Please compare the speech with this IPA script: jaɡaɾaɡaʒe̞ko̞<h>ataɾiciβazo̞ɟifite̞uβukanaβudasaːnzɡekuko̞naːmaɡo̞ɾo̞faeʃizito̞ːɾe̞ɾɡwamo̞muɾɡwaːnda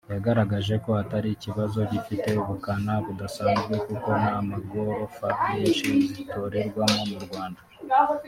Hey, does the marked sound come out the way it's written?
yes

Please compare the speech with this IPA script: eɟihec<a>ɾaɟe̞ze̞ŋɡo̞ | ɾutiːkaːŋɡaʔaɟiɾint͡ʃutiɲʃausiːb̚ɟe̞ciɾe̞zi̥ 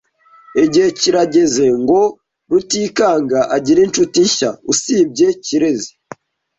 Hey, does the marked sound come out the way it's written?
no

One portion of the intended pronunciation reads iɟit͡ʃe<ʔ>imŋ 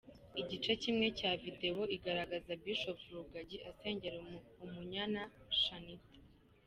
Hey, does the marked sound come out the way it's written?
no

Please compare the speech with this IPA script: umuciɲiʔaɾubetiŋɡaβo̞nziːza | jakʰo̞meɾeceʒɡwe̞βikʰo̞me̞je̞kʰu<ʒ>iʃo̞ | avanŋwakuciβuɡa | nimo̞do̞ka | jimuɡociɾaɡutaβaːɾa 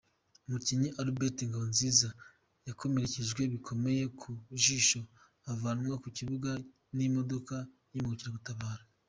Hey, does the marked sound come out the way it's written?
yes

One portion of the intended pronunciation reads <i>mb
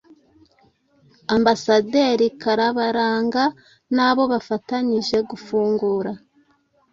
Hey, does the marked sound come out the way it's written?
no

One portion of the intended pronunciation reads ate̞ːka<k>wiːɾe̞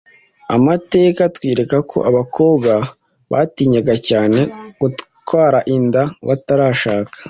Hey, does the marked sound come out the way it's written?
no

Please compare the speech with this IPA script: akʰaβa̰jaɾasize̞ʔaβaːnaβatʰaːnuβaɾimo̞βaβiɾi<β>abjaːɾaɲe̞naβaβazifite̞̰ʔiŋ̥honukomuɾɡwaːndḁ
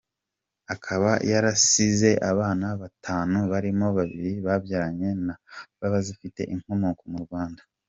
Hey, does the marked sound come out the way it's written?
yes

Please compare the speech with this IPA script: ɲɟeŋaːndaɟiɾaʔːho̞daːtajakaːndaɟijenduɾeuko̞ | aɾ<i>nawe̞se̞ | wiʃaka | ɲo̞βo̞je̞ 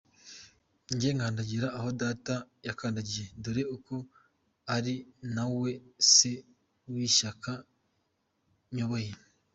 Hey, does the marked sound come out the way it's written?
yes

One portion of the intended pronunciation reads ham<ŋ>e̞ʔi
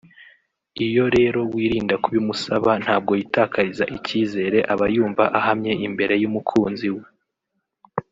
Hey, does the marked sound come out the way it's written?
no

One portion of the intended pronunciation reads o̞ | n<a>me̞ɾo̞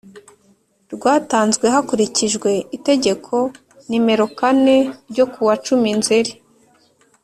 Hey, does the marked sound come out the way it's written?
no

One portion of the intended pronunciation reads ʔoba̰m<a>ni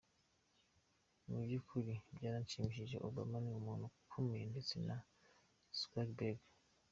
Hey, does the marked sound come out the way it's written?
yes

